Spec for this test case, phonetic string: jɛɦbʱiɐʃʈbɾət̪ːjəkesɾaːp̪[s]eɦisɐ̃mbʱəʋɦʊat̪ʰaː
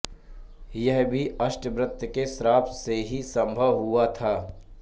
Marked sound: correct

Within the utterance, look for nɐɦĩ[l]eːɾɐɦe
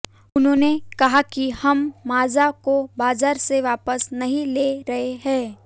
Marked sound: correct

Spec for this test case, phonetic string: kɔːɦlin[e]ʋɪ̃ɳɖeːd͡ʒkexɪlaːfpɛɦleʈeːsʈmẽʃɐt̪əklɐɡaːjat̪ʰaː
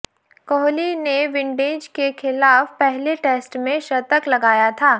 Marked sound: correct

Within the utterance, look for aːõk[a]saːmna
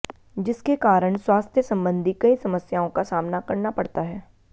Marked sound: correct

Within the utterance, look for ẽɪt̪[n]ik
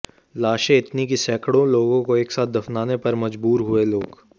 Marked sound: correct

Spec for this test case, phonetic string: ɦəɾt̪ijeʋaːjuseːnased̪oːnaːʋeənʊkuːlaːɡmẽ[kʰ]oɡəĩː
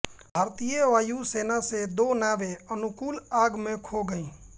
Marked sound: correct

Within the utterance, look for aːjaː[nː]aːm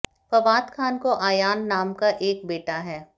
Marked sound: correct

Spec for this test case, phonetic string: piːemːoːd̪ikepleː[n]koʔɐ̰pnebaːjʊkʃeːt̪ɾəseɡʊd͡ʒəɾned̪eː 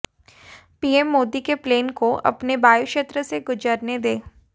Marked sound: correct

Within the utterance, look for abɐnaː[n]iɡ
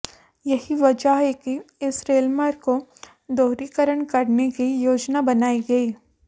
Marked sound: incorrect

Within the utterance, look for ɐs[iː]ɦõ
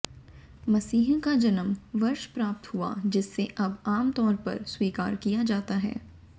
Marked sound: correct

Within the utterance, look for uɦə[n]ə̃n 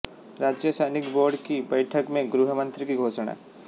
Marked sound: incorrect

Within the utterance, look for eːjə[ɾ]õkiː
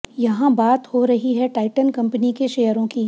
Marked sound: correct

